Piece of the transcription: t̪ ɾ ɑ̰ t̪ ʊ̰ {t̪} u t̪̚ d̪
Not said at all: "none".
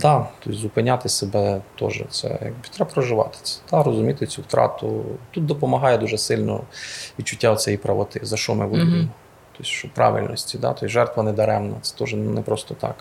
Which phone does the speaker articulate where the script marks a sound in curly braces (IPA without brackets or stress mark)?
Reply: t̪